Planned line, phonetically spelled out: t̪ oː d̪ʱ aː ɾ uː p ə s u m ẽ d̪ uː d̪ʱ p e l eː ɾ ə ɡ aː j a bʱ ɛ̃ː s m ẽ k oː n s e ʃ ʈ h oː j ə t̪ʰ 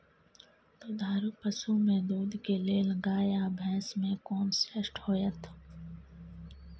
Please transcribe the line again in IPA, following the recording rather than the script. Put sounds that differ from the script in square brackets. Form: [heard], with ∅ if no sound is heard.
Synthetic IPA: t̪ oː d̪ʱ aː ɾ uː p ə s u m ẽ d̪ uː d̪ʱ [k] e l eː [l] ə ɡ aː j a bʱ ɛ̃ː s m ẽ k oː n s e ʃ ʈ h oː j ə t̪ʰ